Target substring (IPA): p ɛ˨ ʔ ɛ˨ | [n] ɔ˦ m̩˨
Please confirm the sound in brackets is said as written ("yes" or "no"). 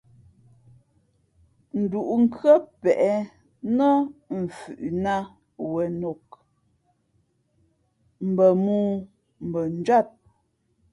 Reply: yes